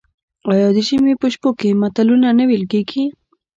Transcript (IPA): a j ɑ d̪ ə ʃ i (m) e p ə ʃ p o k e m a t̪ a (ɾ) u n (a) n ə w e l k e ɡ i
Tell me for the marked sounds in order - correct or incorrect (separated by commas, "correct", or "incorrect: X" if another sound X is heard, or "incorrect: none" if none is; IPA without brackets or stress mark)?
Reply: correct, incorrect: l, correct